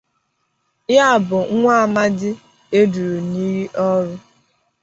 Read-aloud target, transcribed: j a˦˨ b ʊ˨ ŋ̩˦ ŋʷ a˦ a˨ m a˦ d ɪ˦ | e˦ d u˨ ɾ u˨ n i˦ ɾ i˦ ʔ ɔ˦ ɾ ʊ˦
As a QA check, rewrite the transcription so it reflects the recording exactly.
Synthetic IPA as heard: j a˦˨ b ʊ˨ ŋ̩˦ ŋʷ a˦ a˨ m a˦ d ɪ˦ | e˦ d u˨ ɾ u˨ n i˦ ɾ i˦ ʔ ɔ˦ ɾ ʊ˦